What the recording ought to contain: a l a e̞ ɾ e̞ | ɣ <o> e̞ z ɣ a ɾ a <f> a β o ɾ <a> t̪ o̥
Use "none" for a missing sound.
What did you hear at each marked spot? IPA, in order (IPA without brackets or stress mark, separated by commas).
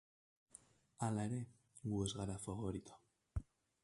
u, f, i